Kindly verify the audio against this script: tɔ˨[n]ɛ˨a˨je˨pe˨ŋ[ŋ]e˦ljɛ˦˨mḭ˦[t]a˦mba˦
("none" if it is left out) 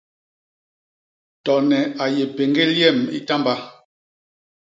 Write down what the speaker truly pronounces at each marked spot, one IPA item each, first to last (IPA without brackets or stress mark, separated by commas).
n, ɡ, t